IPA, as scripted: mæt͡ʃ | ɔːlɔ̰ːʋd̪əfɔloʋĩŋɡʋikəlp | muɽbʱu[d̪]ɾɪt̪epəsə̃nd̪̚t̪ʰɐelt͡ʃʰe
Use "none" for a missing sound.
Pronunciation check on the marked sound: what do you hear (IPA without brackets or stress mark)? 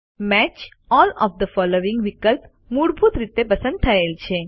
t̪